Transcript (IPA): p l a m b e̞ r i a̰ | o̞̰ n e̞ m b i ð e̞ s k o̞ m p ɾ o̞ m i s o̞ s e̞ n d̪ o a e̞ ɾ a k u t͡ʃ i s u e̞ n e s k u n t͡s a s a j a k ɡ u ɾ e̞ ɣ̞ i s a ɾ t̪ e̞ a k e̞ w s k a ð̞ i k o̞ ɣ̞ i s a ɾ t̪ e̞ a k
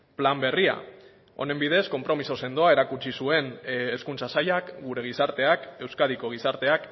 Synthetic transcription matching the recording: p l a m b e̞ r i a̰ | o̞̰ n e̞ m b i ð e̞ s k o̞ m p ɾ o̞ m i s o̞ s e̞ n d̪ o a e̞ ɾ a k u t͡ʃ i s u e̞ n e s k u n t͡s a s a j a k ɡ u ɾ e̞ ɣ̞ i s a ɾ t̪ e̞ a k e̞ w s k a ð̞ i k o̞ ɣ̞ i s a ɾ t̪ e̞ a k

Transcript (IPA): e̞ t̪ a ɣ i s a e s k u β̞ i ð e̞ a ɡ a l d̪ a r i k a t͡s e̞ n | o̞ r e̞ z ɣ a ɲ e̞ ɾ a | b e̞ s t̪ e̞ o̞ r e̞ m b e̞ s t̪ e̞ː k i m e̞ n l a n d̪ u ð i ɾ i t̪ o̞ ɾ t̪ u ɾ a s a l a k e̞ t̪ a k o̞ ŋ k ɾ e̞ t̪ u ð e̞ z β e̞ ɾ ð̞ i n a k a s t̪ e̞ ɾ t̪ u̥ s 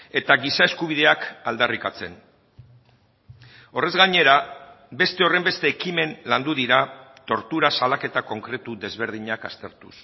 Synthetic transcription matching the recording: e̞ t̪ a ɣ i s a e s k u β̞ i ð e̞ a k a l d̪ a r i k a t͡s e̞ n | o̞ r e̞ z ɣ a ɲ e̞ ɾ a | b e̞ s t̪ e̞ o̞ r e̞ m b e̞ s t̪ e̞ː k i m e̞ n l a n d̪ u ð i ɾ a t̪ o̞ ɾ t̪ u ɾ a s a l a k e̞ t̪ a k o̞ ŋ k ɾ e̞ t̪ u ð e̞ z β e̞ ɾ ð̞ i ɲ a k a s t̪ e̞ ɾ t̪ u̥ s

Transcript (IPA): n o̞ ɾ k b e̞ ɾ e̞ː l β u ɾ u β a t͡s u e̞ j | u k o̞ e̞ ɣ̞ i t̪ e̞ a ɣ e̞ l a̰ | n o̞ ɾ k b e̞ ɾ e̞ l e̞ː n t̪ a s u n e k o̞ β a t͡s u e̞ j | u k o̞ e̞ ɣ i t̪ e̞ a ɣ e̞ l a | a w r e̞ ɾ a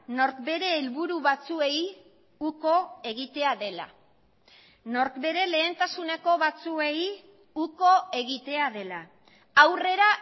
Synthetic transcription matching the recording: n o̞ ɾ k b e̞ ɾ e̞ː l β u ɾ u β a t͡s u e̞ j | u k o̞ e̞ ɣ̞ i t̪ e̞ a ð e̞ l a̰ | n o̞ ɾ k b e̞ ɾ e̞ l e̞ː n t̪ a s u n e k o̞ β a t͡s u e̞ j | u k o̞ e̞ ɣ i t̪ e̞ a ð e̞ l a | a w r e̞ ɾ a

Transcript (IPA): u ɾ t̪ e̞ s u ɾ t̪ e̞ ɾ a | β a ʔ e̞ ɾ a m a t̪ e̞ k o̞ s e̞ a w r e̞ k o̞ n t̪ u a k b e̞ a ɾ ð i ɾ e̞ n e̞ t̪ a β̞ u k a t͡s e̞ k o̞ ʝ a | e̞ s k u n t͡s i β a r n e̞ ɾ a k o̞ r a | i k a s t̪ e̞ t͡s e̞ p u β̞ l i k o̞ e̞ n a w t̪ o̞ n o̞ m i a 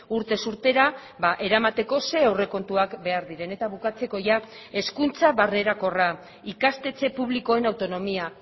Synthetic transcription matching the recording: u ɾ t̪ e̞ s u ɾ t̪ e̞ ɾ a | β a ʔ e̞ ɾ a m a t̪ e̞ k o̞ s e̞ a w r e̞ k o̞ n t̪ u a k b e̞ a ɾ ð i ɾ e̞ n e̞ t̪ a β̞ u k a t͡s e̞ k o̞ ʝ a | e̞ s k u n t͡s a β a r n e̞ ɾ a k o̞ r a | i k a s t̪ e̞ t͡s e̞ p u β̞ l i k o̞ e̞ n a w t̪ o̞ n o̞ m i a

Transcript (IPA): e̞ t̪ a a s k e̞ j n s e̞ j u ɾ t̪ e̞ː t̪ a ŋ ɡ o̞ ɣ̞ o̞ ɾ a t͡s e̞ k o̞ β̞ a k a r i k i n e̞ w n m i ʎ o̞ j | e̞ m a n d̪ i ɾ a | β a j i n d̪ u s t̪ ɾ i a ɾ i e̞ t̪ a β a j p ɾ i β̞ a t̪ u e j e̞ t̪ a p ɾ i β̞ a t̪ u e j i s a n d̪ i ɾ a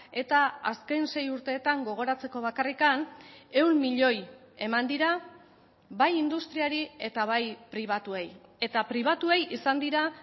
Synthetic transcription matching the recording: e̞ t̪ a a s k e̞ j n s e̞ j u ɾ t̪ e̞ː t̪ a ŋ ɡ o̞ ɣ̞ o̞ ɾ a t͡s e̞ k o̞ β̞ a k a r i k a n e̞ w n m i ʎ o̞ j | e̞ m a n d̪ i ɾ a | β a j i n d̪ u s t̪ ɾ i a ɾ i e̞ t̪ a β a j p ɾ i β̞ a t̪ u e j e̞ t̪ a p ɾ i β̞ a t̪ u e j i s a n d̪ i ɾ a

